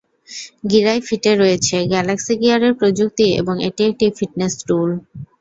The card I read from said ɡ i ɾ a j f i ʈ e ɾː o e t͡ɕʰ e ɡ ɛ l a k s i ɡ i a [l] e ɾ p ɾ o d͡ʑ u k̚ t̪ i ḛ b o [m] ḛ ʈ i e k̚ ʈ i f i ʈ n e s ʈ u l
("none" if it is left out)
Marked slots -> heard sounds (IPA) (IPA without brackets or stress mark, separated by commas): ɾ, ŋ